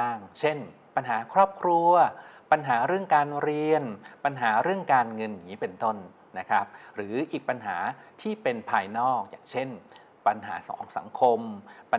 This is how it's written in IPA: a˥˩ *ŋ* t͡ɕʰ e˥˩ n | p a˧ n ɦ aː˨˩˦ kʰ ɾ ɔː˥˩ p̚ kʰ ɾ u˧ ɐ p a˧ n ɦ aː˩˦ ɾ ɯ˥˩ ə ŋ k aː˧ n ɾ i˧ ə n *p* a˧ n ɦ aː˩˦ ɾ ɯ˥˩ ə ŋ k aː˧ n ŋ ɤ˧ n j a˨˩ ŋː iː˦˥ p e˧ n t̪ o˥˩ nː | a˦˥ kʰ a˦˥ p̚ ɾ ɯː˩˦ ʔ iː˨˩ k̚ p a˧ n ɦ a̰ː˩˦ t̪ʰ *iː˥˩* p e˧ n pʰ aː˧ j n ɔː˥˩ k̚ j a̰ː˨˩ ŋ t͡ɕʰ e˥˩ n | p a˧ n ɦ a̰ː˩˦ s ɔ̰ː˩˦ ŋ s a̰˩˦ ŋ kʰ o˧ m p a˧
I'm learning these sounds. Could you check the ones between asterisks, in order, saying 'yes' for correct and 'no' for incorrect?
yes, yes, yes

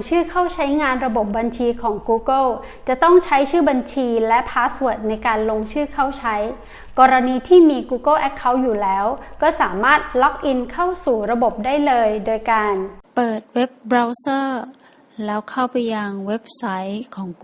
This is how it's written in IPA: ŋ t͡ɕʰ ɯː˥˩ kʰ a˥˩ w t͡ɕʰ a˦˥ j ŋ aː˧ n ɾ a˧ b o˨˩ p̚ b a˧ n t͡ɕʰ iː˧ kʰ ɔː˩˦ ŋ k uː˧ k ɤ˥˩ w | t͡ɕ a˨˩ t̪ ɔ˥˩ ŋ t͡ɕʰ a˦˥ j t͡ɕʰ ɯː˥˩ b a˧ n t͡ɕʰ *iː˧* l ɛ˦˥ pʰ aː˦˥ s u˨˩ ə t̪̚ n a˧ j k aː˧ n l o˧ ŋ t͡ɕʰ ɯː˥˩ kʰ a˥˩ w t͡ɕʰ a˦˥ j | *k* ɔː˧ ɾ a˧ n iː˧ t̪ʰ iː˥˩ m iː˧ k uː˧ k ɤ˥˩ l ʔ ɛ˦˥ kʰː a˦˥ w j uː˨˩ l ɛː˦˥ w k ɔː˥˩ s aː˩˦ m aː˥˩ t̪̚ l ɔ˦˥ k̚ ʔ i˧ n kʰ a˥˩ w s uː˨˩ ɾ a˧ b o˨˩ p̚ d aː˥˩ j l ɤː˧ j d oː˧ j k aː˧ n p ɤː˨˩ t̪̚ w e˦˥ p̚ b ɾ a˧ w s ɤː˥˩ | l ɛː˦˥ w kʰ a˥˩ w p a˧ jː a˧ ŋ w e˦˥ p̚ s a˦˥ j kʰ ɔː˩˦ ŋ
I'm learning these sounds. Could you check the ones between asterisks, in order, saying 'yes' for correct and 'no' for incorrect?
yes, yes

